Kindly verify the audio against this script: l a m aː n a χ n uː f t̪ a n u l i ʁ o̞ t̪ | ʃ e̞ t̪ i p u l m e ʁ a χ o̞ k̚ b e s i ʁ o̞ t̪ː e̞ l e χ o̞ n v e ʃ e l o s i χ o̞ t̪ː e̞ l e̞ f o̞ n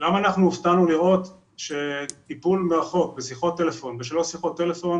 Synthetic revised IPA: l a m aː n a χ n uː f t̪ a n u l i ʁ o̞ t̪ | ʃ e̞ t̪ i p u l m e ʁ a χ o̞ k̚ b e s i χ o̞ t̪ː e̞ l e f o̞ n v e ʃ e l o s i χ o̞ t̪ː e̞ l e̞ f o̞ n

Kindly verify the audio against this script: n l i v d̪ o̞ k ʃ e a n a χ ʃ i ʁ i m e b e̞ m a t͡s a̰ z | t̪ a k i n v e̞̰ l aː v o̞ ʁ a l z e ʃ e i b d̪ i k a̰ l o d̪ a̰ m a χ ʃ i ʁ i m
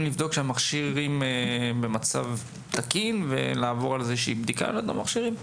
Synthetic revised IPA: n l i v d̪ o̞ k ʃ e a m a χ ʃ i ʁ i m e b e̞ m a t͡s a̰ v | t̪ a k i n v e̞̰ l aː v o̞ ʁ a l z e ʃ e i b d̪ i k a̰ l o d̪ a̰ m a χ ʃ i ʁ i m

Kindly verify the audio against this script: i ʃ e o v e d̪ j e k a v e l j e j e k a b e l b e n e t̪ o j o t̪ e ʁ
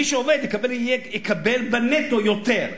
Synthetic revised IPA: i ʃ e o v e d̪ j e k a b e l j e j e k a b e l b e n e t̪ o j o t̪ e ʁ

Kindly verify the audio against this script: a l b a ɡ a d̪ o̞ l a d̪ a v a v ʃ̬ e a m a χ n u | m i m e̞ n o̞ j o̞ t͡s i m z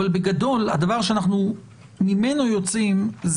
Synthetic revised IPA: a l b e ɡ a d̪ o̞ l a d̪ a v a ʁ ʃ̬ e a n a χ n u | m i m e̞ n o̞ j o̞ t͡s i m z

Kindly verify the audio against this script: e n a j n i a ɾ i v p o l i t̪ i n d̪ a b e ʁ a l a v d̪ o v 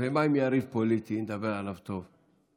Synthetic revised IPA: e m a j m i a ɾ i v p o l i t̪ i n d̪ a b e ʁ a l a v t̪ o v

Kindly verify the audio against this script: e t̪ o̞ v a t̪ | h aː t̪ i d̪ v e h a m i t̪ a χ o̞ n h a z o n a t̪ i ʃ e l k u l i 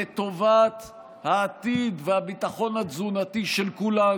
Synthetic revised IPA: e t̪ o̞ v a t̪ | h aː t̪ i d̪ v e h a b i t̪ a χ o̞ n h a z u n a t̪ i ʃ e l k u l a

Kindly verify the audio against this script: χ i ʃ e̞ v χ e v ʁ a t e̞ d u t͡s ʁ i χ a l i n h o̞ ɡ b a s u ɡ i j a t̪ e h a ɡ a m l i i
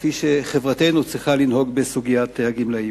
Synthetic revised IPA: f i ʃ e̞ χ e v ʁ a t e̞ n u t͡s ʁ i χ a l i n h o̞ ɡ b e s u ɡ i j a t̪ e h a ɡ i m l a i

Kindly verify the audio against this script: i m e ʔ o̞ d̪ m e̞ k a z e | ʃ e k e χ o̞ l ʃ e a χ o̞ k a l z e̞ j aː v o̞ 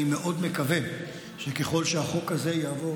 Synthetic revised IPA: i m e ʔ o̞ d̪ m e̞ k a v e | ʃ e k e χ o̞ l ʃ e a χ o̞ k a z e̞ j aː v o̞

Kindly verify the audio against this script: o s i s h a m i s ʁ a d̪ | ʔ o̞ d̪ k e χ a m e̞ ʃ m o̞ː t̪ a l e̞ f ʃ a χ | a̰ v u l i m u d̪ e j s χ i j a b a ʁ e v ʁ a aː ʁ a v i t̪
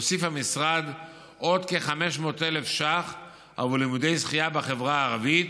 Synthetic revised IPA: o s i f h a m i s ʁ a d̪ | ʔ o̞ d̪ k e χ a m e̞ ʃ m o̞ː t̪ e l e̞ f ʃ a χ | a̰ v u l i m u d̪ e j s χ i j a b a χ e v ʁ a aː ʁ a v i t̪

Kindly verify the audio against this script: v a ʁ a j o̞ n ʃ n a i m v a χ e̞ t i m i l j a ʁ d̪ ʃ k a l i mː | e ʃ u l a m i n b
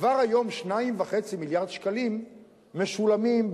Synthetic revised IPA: v a ʁ a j o̞ m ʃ n a i m v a χ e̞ t͡s i m i l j a ʁ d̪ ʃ k a l i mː | e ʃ u l a m i m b

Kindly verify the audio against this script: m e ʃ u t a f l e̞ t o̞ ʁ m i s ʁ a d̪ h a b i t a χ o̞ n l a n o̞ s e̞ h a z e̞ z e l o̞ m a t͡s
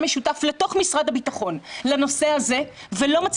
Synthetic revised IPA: m e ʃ u t a f l e̞ t o̞ χ m i s ʁ a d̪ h a b i t a χ o̞ n l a n o̞ s e̞ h a z e̞ v e l o̞ m a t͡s

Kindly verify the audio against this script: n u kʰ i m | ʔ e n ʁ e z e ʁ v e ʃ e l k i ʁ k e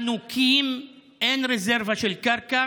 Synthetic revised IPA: n u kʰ i m | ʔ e n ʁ e z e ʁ v a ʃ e l k a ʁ k a

